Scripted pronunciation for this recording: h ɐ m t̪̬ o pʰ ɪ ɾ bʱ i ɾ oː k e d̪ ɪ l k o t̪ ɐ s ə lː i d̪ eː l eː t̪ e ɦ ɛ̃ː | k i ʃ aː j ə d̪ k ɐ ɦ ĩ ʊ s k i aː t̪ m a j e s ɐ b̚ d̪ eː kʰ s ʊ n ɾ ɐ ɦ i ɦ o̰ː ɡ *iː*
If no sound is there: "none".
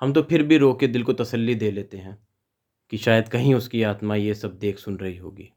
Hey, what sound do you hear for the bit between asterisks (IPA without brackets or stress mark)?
iː